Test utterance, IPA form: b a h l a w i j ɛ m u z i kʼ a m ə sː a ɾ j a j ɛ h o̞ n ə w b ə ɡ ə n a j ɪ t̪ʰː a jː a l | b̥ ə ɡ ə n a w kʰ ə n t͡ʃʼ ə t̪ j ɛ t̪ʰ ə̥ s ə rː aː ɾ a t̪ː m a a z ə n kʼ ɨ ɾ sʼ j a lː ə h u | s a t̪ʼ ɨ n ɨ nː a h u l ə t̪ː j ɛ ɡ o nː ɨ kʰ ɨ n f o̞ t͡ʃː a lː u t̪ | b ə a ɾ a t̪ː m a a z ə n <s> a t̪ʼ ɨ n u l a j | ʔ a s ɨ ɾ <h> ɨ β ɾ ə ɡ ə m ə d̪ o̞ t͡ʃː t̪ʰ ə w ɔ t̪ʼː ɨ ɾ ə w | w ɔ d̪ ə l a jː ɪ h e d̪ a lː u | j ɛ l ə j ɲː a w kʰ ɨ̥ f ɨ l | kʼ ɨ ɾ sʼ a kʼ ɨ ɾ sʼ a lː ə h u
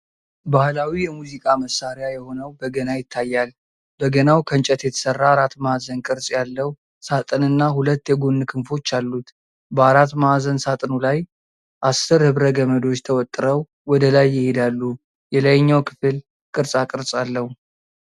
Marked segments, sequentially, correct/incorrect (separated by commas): correct, correct